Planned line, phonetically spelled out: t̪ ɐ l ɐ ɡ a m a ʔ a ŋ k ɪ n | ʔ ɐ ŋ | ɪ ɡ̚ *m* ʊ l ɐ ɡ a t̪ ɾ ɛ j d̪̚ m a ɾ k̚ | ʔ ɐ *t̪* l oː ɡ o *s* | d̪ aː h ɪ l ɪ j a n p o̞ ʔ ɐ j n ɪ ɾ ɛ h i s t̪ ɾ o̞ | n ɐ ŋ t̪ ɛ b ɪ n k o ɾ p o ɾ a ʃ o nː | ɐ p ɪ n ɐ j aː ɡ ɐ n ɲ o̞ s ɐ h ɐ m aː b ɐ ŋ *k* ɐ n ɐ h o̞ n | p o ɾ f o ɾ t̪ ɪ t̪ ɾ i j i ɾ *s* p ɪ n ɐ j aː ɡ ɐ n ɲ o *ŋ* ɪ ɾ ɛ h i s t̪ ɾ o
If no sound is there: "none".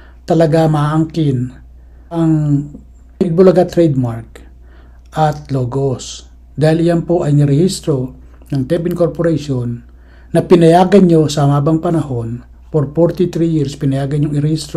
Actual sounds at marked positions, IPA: b, t̪, s, p, s, ŋ

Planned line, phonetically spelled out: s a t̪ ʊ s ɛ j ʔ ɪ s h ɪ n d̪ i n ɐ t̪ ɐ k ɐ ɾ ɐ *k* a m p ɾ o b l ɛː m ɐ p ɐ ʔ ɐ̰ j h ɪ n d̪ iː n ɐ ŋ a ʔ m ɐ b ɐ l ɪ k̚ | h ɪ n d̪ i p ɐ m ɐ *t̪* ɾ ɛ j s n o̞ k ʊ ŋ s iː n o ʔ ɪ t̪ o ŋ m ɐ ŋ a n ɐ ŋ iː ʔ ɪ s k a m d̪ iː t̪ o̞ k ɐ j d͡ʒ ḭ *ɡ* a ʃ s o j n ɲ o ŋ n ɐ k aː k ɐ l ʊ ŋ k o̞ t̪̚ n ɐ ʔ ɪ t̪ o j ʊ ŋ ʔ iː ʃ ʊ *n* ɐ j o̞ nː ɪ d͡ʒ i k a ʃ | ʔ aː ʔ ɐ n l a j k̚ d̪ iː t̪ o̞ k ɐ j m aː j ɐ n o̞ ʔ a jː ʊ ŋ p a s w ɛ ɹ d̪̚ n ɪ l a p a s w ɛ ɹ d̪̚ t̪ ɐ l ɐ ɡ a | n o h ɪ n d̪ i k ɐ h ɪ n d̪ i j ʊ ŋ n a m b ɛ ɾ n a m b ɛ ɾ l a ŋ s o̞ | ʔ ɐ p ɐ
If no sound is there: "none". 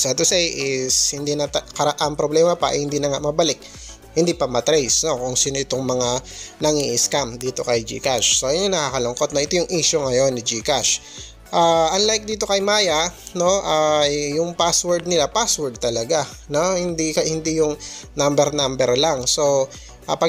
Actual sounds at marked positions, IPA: ʔ, t̪, k, ŋ

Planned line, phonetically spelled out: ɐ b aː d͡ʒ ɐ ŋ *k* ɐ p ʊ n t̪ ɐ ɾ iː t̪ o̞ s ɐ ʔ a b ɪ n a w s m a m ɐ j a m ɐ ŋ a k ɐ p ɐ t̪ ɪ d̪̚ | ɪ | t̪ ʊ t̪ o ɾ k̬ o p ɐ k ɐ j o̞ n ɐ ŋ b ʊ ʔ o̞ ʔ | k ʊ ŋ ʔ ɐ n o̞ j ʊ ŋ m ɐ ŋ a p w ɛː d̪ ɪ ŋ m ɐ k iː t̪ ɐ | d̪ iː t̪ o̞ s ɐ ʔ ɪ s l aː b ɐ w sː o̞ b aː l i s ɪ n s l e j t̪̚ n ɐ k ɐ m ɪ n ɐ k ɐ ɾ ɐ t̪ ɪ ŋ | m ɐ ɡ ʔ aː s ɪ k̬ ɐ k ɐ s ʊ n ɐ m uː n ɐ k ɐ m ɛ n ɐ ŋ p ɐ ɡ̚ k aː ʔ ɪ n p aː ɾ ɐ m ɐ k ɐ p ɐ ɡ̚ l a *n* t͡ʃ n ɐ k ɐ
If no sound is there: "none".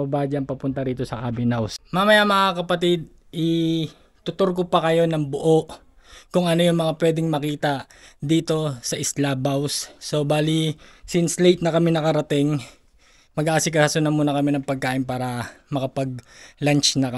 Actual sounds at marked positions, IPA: p, n

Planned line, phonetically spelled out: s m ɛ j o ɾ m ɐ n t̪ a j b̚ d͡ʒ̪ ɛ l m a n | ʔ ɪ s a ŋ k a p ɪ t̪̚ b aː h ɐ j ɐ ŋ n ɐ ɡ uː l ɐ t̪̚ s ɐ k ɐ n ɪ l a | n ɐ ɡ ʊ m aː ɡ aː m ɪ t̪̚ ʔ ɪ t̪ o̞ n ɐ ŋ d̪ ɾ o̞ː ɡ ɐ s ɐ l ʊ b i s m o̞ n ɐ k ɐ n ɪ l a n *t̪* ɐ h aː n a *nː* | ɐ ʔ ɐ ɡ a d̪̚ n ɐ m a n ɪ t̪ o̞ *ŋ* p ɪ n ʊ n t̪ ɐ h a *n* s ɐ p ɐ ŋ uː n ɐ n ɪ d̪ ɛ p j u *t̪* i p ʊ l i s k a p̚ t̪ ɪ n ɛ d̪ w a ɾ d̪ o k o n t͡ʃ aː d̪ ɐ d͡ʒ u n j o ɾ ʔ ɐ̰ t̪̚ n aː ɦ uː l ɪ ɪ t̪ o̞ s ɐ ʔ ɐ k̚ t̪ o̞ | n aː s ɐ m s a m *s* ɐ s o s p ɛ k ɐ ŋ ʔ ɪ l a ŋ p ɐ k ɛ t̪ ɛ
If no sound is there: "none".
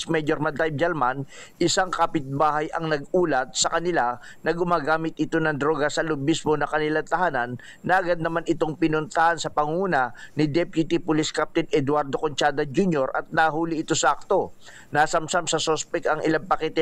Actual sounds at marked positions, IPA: t̪, nː, ŋ, n, t̪, s

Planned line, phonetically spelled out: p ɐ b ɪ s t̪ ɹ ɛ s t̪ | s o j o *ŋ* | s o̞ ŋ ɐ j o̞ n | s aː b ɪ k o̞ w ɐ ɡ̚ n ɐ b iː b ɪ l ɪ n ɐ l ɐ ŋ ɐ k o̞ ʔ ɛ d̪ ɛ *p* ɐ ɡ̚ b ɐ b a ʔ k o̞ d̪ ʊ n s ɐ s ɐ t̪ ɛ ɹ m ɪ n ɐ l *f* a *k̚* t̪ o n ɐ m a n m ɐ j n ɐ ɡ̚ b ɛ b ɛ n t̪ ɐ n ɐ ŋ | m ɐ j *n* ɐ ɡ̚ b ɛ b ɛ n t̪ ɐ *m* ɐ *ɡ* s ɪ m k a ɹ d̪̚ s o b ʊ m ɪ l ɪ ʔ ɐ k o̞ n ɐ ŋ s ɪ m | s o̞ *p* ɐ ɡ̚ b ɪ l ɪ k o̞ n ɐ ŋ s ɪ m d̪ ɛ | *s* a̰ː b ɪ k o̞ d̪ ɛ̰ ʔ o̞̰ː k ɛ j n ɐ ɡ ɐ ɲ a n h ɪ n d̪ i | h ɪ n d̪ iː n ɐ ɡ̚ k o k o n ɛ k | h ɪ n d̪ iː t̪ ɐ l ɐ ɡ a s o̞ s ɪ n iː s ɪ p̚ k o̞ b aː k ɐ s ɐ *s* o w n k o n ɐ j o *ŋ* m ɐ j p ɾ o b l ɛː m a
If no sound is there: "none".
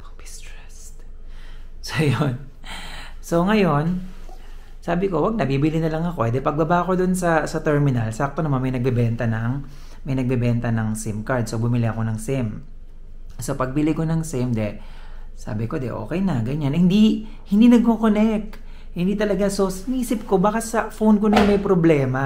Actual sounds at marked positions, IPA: n, p, s, k̚, n, n, ŋ, p, s, f, n

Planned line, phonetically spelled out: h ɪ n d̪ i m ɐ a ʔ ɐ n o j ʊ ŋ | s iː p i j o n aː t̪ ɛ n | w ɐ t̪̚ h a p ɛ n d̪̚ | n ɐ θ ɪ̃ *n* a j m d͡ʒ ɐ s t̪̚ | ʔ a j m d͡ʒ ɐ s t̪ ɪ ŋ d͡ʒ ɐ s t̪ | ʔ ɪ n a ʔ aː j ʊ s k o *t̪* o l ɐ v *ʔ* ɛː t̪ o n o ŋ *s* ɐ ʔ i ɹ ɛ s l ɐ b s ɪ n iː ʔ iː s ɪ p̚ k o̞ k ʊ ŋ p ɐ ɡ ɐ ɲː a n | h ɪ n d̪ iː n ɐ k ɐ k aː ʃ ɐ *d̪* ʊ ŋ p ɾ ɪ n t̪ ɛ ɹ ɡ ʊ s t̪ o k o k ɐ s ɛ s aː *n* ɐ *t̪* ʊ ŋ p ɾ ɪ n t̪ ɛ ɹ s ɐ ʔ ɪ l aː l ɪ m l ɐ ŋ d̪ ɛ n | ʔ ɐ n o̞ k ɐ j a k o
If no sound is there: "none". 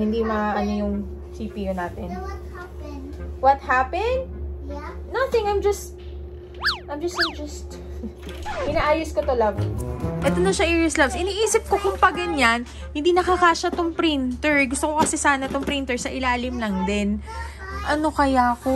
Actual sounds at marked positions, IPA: ŋ, t̪, ʔ, ʃ, t̪, n, t̪

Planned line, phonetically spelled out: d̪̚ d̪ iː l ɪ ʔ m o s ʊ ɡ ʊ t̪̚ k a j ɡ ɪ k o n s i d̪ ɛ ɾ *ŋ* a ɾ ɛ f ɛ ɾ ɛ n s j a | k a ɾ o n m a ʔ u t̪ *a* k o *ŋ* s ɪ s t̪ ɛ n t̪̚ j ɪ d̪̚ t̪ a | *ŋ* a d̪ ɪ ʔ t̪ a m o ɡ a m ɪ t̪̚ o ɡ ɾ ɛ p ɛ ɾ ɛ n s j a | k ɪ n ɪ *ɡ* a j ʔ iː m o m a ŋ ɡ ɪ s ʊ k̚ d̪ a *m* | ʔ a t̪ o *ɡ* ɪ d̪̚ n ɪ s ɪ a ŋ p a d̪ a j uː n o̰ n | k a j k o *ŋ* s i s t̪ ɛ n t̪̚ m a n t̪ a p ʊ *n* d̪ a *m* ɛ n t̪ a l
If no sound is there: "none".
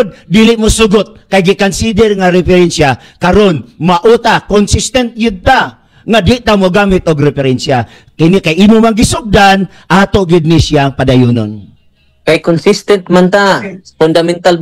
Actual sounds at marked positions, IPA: ŋ, a, n, ŋ, k, n, ɡ, n, n, m

